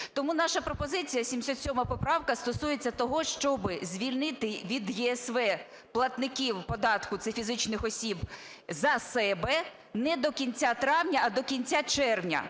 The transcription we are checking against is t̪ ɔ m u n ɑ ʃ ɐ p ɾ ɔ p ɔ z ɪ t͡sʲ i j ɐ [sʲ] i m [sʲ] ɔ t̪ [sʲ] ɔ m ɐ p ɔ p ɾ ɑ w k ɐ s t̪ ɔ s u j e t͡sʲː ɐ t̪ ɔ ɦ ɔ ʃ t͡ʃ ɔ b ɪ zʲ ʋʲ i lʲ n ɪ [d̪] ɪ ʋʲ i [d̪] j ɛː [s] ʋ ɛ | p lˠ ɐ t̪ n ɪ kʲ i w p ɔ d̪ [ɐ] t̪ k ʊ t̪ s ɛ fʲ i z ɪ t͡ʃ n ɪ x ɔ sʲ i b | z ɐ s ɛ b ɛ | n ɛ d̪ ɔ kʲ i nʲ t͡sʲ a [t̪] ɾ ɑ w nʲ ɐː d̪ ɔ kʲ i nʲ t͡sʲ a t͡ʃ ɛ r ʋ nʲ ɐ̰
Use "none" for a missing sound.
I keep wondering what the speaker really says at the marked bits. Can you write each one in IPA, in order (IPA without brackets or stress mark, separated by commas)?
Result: sʲ, sʲ, sʲ, t̪, d̪, s, ɑ, t̪